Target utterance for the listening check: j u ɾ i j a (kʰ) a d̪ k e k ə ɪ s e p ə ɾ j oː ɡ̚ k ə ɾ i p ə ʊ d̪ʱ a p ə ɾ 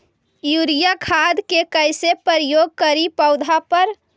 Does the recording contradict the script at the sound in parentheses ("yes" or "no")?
no